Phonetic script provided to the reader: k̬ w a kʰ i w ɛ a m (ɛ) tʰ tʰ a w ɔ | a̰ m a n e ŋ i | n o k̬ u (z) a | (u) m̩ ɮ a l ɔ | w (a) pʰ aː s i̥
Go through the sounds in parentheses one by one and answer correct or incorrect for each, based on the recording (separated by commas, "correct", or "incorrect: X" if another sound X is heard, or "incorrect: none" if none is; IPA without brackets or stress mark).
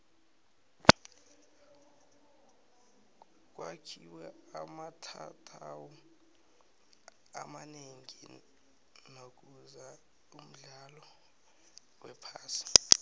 incorrect: a, correct, correct, incorrect: ɛ